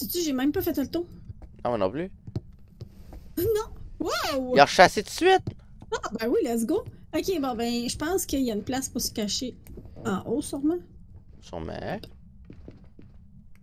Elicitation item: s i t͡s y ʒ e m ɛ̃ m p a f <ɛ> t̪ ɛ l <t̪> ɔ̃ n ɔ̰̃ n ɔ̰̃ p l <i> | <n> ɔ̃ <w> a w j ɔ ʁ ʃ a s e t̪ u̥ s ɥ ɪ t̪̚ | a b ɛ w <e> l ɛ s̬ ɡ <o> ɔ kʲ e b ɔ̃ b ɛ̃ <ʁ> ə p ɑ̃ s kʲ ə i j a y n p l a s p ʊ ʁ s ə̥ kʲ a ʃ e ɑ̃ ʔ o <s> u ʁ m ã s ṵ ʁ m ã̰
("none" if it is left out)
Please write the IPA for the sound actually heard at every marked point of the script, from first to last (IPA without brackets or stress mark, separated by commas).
ɛ, t̪, y, n, w, i, o, ʒ, s